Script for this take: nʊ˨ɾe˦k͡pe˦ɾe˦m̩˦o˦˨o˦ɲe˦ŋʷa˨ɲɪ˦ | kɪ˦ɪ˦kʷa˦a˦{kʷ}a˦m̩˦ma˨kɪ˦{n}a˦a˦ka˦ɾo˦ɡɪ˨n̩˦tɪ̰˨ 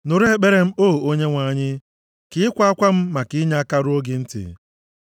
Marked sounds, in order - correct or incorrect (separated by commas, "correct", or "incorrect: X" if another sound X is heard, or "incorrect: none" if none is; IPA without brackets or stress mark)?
correct, incorrect: ɲ